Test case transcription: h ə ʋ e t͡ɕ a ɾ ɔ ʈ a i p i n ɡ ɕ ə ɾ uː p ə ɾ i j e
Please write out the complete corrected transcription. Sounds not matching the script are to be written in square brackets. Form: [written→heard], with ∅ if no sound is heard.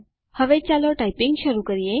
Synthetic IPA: h ə ʋ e t͡ɕ a [ɾ→l] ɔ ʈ a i p i [n→ŋ] ɡ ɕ ə ɾ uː [p→k] ə ɾ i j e

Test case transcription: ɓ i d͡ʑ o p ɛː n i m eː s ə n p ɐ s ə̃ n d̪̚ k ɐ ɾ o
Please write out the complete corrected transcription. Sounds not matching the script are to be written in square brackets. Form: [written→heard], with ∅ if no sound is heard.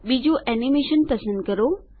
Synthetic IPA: ɓ i d͡ʑ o [p→ʔ] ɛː n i m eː [s→ʃ] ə n p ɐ s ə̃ n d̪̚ k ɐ ɾ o

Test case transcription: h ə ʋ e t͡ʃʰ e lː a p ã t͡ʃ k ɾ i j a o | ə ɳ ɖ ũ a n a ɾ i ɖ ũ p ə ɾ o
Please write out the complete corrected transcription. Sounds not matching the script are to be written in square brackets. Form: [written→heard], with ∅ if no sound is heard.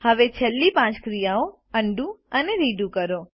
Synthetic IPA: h ə ʋ e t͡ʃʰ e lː [a→i] p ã t͡ʃ k ɾ i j a o | ə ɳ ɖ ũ [a→ə] n [a→e] ɾ i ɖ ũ [p→k] ə ɾ o

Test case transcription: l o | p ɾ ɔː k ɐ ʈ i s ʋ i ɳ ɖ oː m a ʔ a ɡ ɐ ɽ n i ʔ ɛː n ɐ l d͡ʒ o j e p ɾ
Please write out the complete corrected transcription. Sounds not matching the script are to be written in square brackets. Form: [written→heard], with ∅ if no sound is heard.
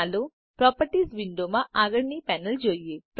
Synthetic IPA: l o | p ɾ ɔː [k→p] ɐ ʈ i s ʋ i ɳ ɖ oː m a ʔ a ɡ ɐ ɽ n i [ʔ→p] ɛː n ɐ l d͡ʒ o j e p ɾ

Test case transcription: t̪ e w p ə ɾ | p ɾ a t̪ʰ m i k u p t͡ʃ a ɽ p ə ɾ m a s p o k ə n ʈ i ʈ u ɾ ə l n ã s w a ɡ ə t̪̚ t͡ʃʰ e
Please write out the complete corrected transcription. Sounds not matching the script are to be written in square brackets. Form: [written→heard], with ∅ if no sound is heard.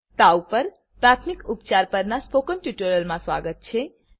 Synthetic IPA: t̪ [e→a] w p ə ɾ | p ɾ a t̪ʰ m i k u p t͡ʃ a [ɽ→ɾ] p ə ɾ [m→n] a s p o k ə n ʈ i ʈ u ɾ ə l [n→m] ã s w a ɡ ə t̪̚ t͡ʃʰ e

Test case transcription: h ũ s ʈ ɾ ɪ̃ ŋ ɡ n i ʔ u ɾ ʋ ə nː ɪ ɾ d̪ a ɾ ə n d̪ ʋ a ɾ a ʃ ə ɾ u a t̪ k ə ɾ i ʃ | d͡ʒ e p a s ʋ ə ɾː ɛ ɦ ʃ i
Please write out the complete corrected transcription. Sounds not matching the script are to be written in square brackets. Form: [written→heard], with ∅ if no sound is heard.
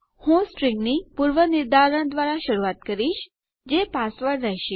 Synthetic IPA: h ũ s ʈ ɾ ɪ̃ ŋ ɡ n i [ʔ→p] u ɾ ʋ ə [nː→n] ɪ ɾ d̪ a ɾ ə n d̪ ʋ a ɾ a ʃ ə ɾ u a t̪ k ə ɾ i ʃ | d͡ʒ e p a s ʋ ə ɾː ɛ ɦ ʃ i

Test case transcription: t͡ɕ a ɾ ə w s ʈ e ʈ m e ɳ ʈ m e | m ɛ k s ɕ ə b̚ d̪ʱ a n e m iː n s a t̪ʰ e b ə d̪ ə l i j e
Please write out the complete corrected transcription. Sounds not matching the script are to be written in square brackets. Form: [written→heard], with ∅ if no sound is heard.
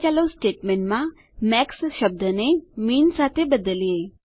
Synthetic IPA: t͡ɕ a [ɾ→l] ə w s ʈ e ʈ m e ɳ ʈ m [e→a] | m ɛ k s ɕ ə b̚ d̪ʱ [a→ə] n e m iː n s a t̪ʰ e b ə d̪ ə l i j e

